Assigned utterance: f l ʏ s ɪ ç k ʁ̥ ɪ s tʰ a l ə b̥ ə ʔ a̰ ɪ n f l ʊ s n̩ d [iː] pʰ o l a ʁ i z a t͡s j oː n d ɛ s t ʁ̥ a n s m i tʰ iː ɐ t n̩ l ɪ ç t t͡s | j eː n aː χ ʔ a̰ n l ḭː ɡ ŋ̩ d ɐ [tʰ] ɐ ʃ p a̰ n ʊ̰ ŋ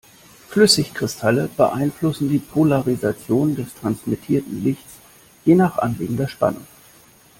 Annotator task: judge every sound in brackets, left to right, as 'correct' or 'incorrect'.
correct, incorrect: none

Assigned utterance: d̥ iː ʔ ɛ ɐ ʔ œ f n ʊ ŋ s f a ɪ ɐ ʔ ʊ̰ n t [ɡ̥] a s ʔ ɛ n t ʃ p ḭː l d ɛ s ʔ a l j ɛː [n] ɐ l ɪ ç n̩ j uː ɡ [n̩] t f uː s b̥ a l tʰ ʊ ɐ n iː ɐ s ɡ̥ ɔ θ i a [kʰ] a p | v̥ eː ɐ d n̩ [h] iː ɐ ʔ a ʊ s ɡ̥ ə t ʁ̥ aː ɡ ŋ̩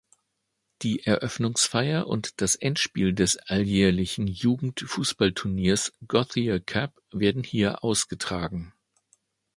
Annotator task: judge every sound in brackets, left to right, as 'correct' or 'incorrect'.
incorrect: d̥, incorrect: none, incorrect: ŋ̩, correct, correct

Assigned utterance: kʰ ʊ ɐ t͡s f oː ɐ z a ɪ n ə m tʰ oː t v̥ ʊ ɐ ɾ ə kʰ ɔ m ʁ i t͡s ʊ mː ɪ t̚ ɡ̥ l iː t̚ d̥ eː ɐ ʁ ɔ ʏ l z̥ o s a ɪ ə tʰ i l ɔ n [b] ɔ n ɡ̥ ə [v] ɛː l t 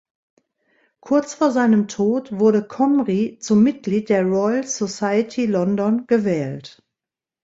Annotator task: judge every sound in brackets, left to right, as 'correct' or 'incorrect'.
incorrect: d, correct

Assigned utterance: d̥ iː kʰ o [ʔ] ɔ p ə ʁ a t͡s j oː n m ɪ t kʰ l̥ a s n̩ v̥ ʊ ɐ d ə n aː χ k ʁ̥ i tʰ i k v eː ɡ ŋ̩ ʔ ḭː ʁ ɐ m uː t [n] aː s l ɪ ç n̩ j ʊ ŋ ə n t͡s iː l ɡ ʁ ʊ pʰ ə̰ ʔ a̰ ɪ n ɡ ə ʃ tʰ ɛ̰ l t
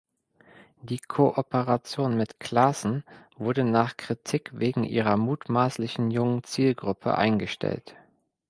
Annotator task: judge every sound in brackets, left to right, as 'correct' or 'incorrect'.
correct, incorrect: m

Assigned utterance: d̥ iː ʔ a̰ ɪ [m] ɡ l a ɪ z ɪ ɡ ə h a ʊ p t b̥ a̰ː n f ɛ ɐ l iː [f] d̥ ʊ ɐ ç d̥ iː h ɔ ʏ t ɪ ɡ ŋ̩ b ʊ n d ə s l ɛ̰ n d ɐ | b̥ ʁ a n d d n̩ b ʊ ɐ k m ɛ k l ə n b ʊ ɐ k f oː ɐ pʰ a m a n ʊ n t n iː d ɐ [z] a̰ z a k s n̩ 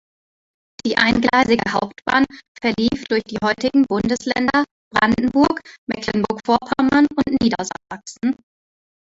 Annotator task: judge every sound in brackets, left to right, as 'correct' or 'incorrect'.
incorrect: n, correct, correct

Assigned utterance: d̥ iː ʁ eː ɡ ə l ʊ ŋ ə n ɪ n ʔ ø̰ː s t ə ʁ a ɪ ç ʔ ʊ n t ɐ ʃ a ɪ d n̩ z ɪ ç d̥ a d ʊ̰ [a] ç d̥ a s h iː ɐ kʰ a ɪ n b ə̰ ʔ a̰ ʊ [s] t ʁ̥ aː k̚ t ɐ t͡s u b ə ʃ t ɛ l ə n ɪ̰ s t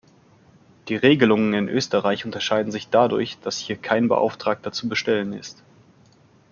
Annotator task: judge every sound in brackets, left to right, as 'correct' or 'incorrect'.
incorrect: ɐ, incorrect: f

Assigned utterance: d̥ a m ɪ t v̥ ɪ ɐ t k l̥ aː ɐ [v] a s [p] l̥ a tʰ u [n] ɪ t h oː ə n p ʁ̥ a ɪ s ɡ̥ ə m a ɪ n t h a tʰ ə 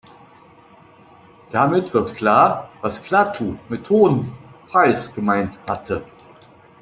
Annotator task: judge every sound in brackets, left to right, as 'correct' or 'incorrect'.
correct, incorrect: k, incorrect: m

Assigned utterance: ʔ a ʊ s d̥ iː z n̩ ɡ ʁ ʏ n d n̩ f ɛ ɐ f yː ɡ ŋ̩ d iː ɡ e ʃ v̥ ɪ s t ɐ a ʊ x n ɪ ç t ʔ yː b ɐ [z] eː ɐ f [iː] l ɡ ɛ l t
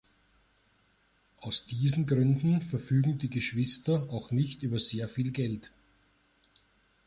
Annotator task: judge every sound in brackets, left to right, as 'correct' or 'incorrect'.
correct, correct

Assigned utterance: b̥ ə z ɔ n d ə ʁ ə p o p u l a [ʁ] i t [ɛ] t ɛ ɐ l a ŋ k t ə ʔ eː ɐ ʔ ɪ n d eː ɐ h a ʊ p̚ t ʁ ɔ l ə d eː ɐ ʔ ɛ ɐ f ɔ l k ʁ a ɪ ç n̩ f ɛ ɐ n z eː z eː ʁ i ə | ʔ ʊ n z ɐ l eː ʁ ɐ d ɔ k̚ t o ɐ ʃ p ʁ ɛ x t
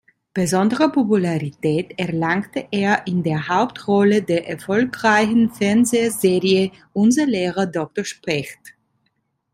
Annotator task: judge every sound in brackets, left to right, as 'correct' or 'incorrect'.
correct, incorrect: ɛː

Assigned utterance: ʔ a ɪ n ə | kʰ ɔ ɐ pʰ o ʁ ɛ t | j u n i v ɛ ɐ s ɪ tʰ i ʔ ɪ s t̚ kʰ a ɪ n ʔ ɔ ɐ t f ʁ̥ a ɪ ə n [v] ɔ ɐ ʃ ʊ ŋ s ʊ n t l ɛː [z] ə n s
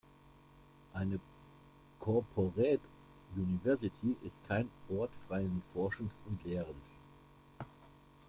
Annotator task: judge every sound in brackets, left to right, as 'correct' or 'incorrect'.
incorrect: f, incorrect: ʁ

